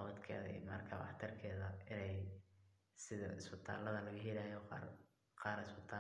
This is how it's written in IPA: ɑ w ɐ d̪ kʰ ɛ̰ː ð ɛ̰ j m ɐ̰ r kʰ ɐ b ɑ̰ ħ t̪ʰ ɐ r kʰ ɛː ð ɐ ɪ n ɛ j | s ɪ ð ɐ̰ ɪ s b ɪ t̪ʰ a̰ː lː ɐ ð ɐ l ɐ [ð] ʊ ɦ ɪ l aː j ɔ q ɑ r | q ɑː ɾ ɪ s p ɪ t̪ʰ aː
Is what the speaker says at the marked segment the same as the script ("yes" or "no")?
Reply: no